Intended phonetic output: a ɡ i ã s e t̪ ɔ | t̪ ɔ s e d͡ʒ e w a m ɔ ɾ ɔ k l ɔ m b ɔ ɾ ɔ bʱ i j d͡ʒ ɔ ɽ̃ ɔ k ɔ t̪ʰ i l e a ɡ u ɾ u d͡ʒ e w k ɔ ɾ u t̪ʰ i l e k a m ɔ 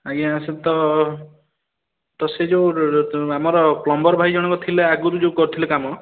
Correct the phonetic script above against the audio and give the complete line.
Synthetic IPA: a ɡ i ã s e t̪ ɔ | t̪ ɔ s e d͡ʒ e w a m ɔ ɾ ɔ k l ɔ m b ɔ ɾ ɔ bʱ a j d͡ʒ ɔ ɽ̃ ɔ k ɔ t̪ʰ i l e a ɡ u ɾ u d͡ʒ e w k ɔ ɾ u t̪ʰ i l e k a m ɔ

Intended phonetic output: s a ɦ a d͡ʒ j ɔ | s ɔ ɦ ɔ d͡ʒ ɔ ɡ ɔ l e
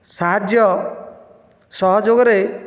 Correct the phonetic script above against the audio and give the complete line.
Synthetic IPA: s a ɦ a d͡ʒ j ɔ | s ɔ ɦ ɔ d͡ʒ o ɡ ɔ ɾ e

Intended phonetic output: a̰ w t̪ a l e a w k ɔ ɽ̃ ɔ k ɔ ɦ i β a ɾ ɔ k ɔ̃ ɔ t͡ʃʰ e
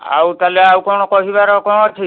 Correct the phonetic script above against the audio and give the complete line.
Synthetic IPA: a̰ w t̪ a l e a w k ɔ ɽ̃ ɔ k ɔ ɦ i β a ɾ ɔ k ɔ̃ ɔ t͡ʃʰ i

